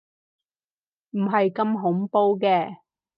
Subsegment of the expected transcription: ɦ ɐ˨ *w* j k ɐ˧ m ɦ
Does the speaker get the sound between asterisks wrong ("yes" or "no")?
yes